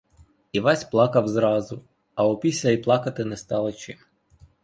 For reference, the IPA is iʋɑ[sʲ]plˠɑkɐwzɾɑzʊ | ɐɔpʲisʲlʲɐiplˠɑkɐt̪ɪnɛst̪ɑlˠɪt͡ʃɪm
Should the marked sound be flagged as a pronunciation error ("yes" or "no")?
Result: no